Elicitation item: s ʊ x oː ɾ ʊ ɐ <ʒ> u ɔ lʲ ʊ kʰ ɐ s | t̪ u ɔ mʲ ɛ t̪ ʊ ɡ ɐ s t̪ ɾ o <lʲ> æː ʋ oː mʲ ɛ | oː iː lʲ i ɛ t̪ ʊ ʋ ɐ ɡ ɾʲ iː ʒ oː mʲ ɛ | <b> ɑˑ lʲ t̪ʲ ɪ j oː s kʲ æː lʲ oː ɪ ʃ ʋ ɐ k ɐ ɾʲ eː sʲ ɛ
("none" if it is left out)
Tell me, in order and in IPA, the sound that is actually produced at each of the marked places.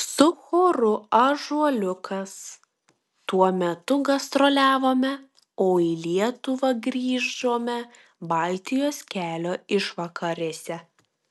ʒ, lʲ, b

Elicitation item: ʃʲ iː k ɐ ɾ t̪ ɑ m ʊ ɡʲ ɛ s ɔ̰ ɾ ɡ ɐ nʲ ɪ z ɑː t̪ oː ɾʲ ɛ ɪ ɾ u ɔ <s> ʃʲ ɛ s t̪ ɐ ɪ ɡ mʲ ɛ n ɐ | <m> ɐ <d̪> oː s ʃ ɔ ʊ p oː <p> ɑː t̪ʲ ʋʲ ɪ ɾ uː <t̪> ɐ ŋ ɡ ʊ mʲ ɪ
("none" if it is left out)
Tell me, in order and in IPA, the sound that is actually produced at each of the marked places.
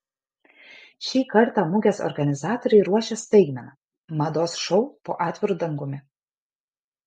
none, m, d̪, ʔ, d̪

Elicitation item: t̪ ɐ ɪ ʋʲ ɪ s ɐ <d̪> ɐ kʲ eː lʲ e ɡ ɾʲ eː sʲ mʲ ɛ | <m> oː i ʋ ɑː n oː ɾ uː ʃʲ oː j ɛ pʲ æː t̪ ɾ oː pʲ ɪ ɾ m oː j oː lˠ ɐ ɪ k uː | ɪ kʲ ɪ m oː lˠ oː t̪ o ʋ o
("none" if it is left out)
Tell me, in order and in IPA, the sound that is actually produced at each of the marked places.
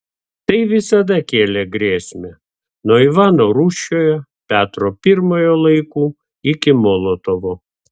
d̪, n

